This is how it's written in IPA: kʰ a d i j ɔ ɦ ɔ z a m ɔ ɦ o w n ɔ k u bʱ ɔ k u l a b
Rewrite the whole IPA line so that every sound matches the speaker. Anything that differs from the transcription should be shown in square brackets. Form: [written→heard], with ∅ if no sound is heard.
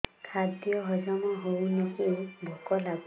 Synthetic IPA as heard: kʰ a d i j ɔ ɦ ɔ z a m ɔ ɦ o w n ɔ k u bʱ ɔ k [u→ɔ] l a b